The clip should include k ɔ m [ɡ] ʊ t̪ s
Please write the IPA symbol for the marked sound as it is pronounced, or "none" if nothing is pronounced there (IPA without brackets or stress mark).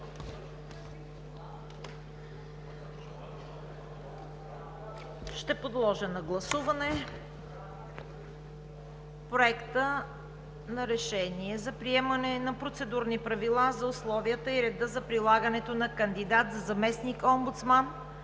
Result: b